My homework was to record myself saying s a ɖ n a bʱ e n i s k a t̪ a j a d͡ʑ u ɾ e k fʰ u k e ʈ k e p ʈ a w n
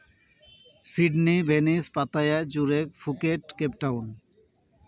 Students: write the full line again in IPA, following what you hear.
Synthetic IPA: s i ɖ n i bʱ e n i s p a t̪ a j a d͡ʑ u ɾ e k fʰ u k e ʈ k e p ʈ a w n